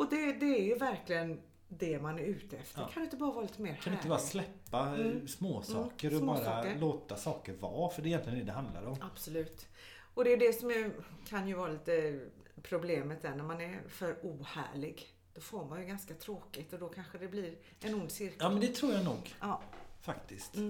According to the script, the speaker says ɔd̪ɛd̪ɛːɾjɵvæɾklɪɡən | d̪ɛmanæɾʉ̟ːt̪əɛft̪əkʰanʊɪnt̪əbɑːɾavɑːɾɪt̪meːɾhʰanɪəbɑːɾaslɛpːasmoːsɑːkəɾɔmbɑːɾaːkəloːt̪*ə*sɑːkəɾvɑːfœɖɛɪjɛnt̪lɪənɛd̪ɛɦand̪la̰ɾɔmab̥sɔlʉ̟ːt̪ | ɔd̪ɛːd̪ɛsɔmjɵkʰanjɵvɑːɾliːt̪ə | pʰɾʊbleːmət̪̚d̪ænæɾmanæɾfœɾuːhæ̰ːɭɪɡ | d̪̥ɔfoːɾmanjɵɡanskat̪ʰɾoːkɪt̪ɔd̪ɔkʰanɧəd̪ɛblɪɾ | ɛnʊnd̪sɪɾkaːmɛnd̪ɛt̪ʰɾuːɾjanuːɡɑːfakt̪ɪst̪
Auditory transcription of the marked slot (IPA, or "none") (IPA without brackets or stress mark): a